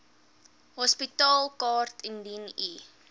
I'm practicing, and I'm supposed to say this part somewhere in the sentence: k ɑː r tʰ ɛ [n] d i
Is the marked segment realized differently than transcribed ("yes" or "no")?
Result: no